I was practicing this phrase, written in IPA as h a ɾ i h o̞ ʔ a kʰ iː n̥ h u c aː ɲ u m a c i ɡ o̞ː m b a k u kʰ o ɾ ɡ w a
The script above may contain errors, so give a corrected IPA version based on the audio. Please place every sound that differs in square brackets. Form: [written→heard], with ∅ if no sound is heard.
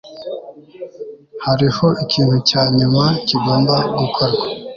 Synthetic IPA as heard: h a ɾ i h o̞ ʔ [a→i] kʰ iː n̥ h u c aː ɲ u m a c i ɡ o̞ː m b a [k→ɡ] u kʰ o ɾ ɡ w a